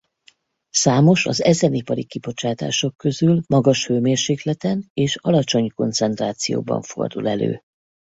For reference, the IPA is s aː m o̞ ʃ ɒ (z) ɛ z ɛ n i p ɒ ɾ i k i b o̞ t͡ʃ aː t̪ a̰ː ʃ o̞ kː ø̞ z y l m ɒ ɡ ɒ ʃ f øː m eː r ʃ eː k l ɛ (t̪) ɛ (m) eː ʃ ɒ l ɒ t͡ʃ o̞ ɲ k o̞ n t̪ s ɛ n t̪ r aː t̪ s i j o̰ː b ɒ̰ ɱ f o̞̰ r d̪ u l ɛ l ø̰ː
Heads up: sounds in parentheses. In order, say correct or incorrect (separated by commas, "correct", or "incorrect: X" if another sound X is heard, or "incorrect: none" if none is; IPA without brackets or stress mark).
correct, correct, incorrect: n